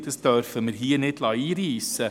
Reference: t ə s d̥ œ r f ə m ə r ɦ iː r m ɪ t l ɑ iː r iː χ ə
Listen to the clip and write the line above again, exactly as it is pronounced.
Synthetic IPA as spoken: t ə s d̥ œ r f ə m ə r ɦ iː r n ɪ t l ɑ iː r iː s ə